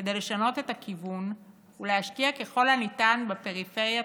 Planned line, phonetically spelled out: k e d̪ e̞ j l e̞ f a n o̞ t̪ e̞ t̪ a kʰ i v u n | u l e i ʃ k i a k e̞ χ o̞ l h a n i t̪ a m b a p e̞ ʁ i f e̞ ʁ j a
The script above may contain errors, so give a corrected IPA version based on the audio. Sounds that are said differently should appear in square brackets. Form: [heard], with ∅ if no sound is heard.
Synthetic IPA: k e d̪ e̞ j l e̞ [ʃ] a n o̞ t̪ e̞ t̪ a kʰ i v u n | u l e [a] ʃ k i a k e̞ χ o̞ l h a n i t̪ a [n] b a p e̞ ʁ i f e̞ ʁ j a

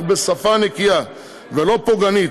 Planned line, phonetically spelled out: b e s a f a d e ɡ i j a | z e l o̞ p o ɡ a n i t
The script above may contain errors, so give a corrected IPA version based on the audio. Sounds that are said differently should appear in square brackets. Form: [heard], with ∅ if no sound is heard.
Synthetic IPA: b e s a f a [n] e [k] i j a | [v] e l o̞ p o ɡ a n i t

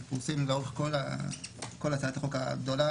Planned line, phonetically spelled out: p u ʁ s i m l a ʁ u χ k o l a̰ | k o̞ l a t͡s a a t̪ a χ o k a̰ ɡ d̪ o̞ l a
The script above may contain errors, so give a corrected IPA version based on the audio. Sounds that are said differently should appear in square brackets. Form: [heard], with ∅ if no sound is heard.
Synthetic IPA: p u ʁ s i m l a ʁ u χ k o l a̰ | k o̞ l a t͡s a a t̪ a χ o k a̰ ɡ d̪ o̞ l a

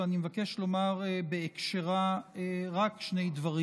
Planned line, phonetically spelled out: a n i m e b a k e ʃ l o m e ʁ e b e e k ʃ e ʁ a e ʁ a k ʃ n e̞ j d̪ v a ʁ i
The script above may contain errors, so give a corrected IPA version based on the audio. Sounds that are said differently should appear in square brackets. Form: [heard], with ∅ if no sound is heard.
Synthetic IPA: a n i m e [v] a k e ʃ l o m [a] ʁ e b e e k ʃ e ʁ a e ʁ a k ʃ n e̞ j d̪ v a ʁ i

